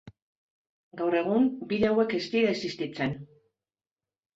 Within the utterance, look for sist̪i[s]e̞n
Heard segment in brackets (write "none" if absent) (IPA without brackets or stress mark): t͡s